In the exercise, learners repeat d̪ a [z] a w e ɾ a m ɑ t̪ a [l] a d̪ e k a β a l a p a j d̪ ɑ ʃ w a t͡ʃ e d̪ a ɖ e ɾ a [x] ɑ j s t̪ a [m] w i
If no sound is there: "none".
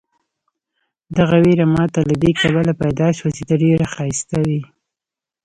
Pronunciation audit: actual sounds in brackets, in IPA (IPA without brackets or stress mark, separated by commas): ɣ, l, x, none